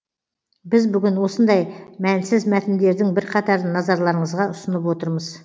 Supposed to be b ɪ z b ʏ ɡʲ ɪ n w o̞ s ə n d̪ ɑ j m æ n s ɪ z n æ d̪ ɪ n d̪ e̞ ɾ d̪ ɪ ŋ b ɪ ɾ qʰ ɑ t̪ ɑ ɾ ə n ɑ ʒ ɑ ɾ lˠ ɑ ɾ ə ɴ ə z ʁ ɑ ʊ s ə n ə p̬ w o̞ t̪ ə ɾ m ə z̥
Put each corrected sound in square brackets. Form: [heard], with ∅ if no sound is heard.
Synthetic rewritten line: b ɪ z b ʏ ɡʲ ɪ n w o̞ s ə n d̪ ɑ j m æ n s ɪ z [m] æ [t̪] ɪ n d̪ e̞ ɾ d̪ ɪ ŋ b ɪ ɾ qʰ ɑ t̪ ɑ ɾ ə n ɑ [z] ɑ ɾ lˠ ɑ ɾ ə ɴ ə z ʁ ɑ ʊ s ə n ə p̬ w o̞ t̪ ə ɾ m ə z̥

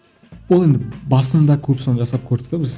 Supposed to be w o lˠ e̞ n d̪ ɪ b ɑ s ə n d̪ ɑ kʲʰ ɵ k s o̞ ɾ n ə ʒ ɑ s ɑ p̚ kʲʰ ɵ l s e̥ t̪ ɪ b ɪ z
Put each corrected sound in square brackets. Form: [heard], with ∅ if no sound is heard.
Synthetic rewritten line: w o lˠ e̞ n d̪ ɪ b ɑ s ə n d̪ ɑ kʲʰ ɵ [p] s o̞ [∅] n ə ʒ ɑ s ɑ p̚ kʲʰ ɵ [ɾ] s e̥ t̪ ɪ b ɪ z

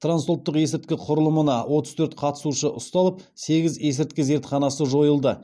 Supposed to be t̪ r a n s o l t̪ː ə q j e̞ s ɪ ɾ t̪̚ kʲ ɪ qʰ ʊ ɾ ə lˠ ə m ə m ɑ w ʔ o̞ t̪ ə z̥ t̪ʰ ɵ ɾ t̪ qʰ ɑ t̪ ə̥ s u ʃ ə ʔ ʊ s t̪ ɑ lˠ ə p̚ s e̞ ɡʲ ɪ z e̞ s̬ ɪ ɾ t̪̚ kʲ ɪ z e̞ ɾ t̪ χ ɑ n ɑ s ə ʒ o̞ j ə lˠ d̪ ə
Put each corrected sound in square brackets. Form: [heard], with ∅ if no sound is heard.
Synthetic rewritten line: t̪ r a n s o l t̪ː ə q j e̞ s ɪ ɾ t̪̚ kʲ ɪ qʰ ʊ ɾ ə lˠ ə m ə [n] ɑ w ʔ o̞ t̪ ə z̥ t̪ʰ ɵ ɾ t̪ qʰ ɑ t̪ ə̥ s u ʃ ə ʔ ʊ s t̪ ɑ lˠ ə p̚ s e̞ ɡʲ ɪ z e̞ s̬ ɪ ɾ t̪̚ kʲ ɪ z e̞ ɾ t̪ χ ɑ n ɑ s ə ʒ o̞ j ə lˠ d̪ ə

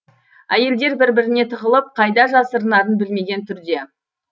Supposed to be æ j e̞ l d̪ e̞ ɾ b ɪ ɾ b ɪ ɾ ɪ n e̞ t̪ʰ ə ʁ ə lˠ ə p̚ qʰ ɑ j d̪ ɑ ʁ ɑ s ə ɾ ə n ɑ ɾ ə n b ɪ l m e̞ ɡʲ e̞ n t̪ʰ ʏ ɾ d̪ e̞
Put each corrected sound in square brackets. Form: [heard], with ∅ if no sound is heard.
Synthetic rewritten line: æ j e̞ l d̪ e̞ ɾ b ɪ ɾ b ɪ ɾ ɪ n e̞ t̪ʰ ə ʁ ə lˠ ə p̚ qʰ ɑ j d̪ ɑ [ʒ] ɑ s ə ɾ ə n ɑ ɾ ə n b ɪ l m e̞ ɡʲ e̞ n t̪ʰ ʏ ɾ d̪ e̞

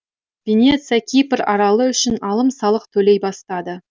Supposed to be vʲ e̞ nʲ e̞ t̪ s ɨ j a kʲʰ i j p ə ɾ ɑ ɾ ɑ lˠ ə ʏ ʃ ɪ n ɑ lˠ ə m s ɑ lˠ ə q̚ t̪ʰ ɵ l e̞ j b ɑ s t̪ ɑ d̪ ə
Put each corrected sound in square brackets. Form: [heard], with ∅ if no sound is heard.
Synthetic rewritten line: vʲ e̞ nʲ e̞ t̪ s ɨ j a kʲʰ i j p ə ɾ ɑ ɾ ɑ lˠ ə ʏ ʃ ɪ n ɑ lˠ ə m s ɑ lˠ ə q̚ t̪ʰ ɵ l e̞ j b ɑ s t̪ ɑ d̪ ə

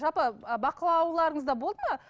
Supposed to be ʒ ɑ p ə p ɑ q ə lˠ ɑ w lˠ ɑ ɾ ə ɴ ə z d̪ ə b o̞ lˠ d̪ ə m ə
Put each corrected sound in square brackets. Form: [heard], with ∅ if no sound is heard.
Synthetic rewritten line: ʒ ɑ p ə [b] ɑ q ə lˠ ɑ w lˠ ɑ ɾ ə ɴ ə z d̪ [ɑ] b o̞ lˠ d̪ ə m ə

